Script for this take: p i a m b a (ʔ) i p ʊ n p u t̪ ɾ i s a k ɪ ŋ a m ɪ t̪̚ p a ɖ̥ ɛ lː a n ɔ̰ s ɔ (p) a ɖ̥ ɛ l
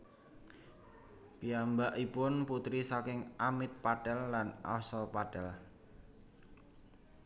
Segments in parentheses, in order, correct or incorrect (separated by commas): correct, correct